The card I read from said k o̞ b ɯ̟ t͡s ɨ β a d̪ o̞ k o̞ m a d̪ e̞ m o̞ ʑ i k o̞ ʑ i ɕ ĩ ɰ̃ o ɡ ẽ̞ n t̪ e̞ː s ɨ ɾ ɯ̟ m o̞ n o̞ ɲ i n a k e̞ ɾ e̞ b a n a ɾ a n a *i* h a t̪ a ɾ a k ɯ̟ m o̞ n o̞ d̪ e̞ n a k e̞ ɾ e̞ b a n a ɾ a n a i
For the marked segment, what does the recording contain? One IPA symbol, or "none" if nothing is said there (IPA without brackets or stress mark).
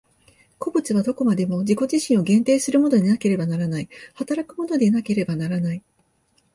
i